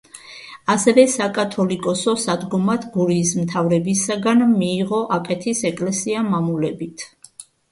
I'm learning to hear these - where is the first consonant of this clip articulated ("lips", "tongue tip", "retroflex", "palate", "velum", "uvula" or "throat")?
tongue tip